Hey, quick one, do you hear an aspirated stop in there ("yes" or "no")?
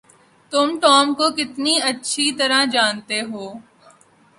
no